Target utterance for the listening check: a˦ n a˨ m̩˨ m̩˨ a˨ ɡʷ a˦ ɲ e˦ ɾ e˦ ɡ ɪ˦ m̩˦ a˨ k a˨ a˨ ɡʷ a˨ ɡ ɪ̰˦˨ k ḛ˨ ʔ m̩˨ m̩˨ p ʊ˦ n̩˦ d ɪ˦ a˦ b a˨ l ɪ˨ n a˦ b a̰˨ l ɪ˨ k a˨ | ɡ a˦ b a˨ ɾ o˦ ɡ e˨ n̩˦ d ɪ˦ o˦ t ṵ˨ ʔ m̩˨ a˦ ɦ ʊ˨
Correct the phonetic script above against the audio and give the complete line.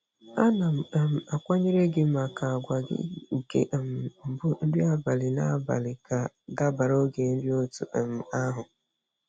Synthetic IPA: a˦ n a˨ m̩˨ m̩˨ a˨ kʷ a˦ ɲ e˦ ɾ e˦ ɡ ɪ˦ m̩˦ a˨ k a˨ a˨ ɡʷ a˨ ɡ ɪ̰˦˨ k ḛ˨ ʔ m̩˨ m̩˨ b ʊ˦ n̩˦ d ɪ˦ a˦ b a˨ l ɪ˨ n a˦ b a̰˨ l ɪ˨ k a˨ | ɡ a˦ b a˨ ɾ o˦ ɡ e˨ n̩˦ d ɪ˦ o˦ t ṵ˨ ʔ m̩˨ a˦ ɦ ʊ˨